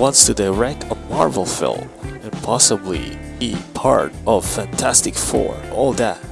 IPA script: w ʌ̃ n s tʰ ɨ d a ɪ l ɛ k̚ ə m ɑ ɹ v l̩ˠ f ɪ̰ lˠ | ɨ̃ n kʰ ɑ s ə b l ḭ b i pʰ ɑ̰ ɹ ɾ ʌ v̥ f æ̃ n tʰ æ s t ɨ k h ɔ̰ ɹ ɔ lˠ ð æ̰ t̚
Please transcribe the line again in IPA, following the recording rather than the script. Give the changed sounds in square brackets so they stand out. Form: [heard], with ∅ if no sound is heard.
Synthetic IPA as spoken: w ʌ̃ n s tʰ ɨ d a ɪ [ɹ] ɛ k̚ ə m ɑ ɹ v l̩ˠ f ɪ̰ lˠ | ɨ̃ n [pʰ] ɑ s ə b l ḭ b i pʰ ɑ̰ ɹ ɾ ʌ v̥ f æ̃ n tʰ æ s t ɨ k [f] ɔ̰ ɹ ɔ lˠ ð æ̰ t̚